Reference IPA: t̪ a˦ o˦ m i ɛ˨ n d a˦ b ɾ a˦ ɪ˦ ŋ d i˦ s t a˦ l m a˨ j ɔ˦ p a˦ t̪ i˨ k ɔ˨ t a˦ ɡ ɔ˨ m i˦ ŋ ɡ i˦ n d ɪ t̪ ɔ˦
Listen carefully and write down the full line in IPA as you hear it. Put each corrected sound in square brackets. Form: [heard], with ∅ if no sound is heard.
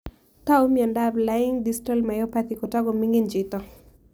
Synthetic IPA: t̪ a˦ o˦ m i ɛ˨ n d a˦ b [l] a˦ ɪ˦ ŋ d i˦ s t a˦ l m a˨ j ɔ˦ p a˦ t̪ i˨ k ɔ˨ t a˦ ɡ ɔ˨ m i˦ ŋ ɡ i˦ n [d͡ʒ] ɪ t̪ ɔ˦